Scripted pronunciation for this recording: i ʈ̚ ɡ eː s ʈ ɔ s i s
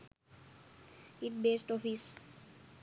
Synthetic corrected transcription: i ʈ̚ b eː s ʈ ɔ f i s